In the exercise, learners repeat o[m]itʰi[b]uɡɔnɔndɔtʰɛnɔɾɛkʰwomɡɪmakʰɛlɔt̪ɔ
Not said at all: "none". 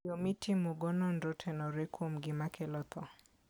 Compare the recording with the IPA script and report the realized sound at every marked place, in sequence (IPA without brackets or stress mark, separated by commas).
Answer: m, m